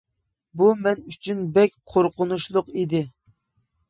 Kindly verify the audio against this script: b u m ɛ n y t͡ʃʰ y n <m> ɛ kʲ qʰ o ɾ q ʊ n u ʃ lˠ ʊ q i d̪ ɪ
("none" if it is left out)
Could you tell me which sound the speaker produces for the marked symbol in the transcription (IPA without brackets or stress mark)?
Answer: b